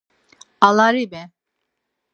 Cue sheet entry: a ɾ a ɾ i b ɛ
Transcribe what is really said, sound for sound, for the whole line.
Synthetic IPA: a l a ɾ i b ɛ